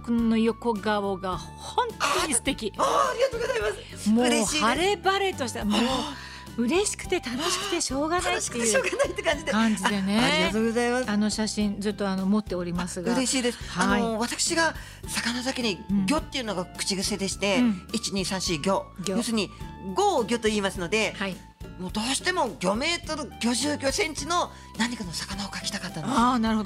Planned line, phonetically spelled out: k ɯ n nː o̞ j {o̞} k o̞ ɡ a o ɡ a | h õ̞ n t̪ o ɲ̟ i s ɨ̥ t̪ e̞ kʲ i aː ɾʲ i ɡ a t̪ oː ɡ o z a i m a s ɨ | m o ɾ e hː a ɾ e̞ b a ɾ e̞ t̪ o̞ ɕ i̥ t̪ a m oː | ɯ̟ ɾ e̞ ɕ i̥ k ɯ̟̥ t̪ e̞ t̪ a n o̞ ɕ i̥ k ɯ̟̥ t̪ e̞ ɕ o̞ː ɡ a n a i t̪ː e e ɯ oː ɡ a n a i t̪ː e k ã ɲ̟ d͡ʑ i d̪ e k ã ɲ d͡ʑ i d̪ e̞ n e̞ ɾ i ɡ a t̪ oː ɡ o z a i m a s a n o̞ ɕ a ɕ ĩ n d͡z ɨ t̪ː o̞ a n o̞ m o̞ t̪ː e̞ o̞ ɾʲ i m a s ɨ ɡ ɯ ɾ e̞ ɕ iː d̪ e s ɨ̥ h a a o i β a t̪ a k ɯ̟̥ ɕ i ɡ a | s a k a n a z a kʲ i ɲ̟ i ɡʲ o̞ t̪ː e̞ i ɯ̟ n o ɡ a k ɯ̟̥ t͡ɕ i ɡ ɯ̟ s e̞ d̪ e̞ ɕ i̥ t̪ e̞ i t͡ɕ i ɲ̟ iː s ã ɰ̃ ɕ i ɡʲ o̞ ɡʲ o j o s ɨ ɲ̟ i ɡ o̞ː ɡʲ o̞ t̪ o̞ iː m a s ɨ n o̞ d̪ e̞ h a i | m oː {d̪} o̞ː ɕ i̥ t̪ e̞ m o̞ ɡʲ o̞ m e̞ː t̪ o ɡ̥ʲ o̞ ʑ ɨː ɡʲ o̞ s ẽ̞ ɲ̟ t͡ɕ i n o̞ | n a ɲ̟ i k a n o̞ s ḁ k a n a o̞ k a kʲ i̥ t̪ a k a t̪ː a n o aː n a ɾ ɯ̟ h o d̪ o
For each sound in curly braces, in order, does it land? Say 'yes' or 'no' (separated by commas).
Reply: yes, yes